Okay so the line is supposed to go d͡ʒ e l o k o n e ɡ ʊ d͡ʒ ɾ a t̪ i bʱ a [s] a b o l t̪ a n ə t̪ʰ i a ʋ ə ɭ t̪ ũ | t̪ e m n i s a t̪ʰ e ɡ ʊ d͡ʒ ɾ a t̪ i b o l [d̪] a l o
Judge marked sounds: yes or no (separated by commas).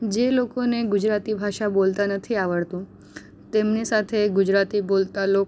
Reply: no, no